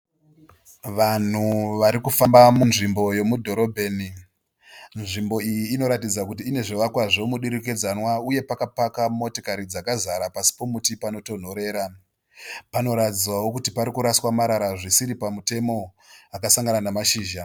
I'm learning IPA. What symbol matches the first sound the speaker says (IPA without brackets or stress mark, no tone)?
ʋ